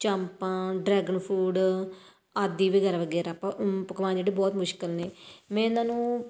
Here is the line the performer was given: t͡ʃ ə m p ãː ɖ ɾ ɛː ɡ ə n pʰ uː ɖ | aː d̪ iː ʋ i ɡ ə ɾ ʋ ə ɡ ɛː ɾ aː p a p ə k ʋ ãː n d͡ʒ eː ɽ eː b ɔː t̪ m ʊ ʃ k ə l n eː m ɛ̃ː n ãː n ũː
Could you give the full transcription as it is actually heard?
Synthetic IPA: t͡ʃ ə m p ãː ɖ ɾ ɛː ɡ ə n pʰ uː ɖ | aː d̪ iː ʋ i ɡ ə ɾ ʋ ə ɡ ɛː ɾ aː p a p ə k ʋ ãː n d͡ʒ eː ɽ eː b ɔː t̪ m ʊ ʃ k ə l n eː m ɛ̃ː n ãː n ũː

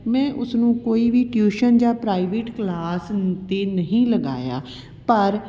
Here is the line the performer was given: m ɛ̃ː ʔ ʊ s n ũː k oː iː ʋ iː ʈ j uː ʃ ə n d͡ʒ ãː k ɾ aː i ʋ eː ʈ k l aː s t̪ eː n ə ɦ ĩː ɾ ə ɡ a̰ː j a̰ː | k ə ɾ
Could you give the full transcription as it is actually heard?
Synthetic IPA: m ɛ̃ː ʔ ʊ s n ũː k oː iː ʋ iː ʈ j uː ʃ ə n d͡ʒ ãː p ɾ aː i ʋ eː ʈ k l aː s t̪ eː n ə ɦ ĩː l ə ɡ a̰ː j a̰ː | p ə ɾ

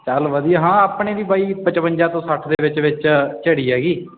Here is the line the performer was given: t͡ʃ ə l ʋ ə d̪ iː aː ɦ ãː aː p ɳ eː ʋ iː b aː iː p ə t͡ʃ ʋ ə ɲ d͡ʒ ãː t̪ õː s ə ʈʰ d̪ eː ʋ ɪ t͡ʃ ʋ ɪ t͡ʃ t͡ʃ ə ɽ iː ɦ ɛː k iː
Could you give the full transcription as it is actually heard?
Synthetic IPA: t͡ʃ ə l ʋ ə d̪ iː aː ɦ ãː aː p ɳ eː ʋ iː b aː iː p ə t͡ʃ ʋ ə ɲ d͡ʒ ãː t̪ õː s ə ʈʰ d̪ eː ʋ ɪ t͡ʃ ʋ ɪ t͡ʃ t͡ʃ ə ɽ iː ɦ ɛː ɡ iː

